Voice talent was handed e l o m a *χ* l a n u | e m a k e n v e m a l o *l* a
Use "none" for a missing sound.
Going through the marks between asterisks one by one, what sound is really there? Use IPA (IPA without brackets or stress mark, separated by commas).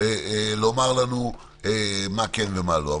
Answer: ʁ, none